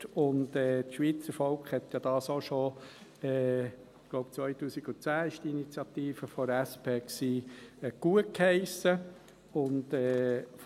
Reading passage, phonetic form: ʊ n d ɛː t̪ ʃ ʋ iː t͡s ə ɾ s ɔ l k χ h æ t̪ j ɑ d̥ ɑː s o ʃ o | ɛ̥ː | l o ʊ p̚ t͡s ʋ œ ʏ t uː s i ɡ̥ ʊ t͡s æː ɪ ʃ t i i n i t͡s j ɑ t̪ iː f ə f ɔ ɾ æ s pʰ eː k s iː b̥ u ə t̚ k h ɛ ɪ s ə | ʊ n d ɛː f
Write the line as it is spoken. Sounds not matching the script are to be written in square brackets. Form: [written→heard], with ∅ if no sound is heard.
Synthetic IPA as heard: ʊ n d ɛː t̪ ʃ ʋ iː t͡s ə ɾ [s→f] ɔ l k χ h [æ→ɛ] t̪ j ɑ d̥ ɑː s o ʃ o | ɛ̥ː | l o ʊ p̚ t͡s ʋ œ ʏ t uː s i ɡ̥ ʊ t͡s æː ɪ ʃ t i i n i t͡s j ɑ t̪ iː f ə f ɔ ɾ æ s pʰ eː k s iː [b̥→ɡ̥] u ə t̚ k h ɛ ɪ s ə | ʊ n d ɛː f